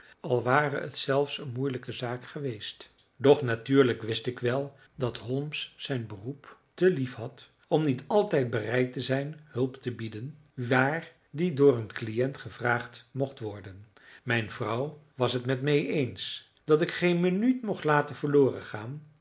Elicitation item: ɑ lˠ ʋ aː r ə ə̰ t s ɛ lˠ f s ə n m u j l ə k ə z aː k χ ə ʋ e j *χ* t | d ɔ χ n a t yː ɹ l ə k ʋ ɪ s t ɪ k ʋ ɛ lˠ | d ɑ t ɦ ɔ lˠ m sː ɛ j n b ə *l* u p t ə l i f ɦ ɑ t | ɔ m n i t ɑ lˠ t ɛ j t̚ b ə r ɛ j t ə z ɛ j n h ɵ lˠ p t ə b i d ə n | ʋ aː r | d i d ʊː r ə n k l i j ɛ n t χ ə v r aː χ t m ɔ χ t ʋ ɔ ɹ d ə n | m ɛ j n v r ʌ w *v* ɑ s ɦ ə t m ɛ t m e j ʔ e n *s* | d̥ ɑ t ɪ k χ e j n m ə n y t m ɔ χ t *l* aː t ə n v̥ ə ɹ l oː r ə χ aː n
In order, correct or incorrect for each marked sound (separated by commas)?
incorrect, incorrect, incorrect, correct, correct